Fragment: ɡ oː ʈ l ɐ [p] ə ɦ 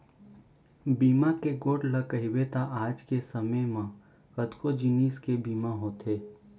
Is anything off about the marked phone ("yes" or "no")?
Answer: yes